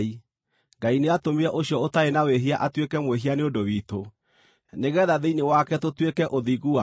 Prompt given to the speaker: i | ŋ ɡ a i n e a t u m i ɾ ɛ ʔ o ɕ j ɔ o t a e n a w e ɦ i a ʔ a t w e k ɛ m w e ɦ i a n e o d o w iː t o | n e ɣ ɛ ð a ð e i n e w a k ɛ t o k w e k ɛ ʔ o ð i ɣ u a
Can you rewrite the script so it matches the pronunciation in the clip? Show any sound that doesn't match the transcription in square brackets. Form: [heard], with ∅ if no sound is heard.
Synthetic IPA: i | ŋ ɡ a i n e a t [o] m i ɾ ɛ ʔ o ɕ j ɔ o t a e n a w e ɦ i a ʔ a t w e k ɛ m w e ɦ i a n e o d o w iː t o | n e ɣ ɛ ð a ð e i n e w a k ɛ t o [t] w e k ɛ ʔ o ð i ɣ u a